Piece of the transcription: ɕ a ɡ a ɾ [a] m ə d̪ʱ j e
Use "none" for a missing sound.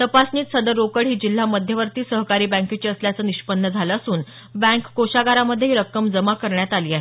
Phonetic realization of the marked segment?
a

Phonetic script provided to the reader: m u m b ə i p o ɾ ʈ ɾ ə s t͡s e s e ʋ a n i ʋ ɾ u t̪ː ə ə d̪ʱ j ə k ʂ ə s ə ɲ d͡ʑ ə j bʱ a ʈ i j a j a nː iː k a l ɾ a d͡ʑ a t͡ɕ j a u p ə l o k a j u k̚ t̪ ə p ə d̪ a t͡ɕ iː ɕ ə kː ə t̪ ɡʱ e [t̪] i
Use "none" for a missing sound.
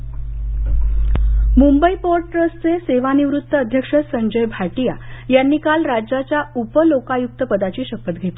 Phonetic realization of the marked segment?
t̪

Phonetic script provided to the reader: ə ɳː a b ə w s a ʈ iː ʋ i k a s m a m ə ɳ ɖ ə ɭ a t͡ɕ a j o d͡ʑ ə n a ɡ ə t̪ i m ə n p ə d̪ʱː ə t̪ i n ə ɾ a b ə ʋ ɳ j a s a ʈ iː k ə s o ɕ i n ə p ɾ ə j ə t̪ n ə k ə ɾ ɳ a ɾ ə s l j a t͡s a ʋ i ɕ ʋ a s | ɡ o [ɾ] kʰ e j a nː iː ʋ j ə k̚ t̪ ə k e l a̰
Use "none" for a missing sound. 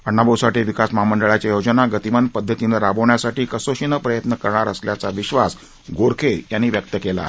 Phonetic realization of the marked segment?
ɾ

